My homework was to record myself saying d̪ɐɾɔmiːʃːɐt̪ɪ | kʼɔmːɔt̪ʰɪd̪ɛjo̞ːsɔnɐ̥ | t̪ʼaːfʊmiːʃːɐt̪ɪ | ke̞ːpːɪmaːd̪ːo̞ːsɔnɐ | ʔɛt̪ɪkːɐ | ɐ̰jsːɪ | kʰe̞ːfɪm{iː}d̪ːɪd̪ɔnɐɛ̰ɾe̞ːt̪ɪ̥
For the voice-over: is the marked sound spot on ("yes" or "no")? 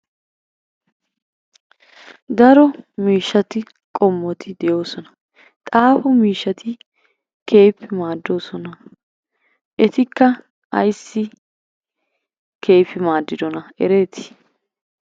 no